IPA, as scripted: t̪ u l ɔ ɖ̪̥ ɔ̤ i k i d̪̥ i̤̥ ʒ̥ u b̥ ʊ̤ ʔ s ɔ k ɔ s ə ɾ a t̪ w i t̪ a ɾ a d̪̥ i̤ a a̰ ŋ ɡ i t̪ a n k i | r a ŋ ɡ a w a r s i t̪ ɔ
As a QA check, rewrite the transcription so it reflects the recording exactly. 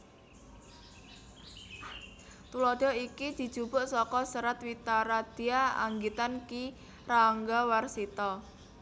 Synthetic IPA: t̪ u l ɔ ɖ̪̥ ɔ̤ i k i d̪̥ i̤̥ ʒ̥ u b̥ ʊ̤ ʔ s ɔ k ɔ s ə ɾ a t̪ w i t̪ a ɾ a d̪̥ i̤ a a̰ ŋ ɡ i t̪ a n k i | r a ŋ ɡ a w a r s i t̪ ɔ